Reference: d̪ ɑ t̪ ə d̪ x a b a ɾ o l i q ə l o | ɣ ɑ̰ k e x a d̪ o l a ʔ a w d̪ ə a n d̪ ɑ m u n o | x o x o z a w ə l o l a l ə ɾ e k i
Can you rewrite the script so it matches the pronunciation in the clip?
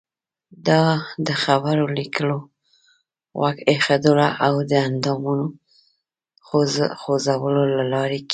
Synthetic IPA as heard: d̪ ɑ d̪ ə x a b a ɾ o l i k ə l o | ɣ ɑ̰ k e x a d̪ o l a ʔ a w d̪ ə a n d̪ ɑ m u n o | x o x o z a w ə l o l a l ɑ ɾ e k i